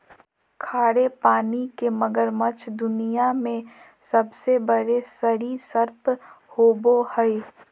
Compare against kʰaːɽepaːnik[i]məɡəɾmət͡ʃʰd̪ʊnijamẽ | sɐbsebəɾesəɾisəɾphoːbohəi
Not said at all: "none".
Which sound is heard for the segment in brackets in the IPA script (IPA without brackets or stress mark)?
e